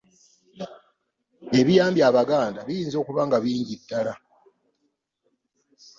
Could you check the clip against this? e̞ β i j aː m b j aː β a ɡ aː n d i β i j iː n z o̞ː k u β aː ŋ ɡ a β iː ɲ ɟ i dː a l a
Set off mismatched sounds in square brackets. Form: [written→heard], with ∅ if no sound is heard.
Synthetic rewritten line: e̞ β i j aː m b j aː β a ɡ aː n d [i→a] β i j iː n z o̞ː k u β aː ŋ ɡ a β iː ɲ ɟ i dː a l a